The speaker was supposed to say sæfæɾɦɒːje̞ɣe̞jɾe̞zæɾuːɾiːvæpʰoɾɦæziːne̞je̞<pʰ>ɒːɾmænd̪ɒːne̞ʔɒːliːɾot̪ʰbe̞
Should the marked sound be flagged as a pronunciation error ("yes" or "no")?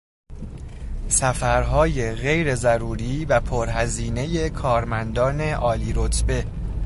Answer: yes